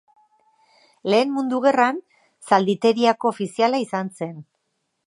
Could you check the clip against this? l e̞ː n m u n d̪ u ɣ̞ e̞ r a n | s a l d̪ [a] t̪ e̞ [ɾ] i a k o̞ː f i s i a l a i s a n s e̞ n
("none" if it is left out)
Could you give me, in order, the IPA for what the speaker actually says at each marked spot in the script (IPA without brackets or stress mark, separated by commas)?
i, ɾ